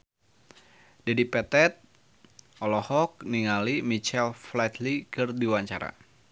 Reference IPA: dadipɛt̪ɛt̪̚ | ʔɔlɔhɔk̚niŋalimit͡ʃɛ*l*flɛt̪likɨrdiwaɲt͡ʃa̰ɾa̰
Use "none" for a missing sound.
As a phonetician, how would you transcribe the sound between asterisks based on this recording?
l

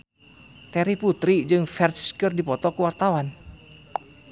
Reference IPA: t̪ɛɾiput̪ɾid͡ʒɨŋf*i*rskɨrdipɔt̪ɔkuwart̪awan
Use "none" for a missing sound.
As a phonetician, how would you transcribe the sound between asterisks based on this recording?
ɛ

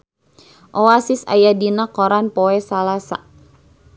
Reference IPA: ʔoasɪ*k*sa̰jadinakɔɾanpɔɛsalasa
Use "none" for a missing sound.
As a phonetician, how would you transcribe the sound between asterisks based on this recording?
none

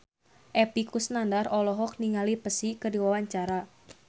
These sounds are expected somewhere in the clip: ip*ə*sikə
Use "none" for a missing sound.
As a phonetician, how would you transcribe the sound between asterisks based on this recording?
ə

